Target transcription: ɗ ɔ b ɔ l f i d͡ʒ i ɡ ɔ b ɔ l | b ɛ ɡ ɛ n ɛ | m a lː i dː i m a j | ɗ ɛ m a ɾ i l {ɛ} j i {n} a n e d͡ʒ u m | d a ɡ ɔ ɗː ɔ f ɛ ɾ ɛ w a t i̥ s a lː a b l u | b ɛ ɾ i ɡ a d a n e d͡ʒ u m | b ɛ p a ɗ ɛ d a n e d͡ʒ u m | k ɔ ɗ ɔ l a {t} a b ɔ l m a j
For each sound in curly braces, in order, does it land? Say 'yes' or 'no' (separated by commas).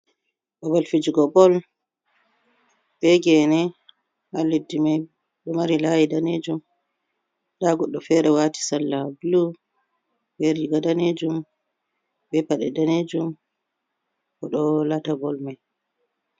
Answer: no, no, yes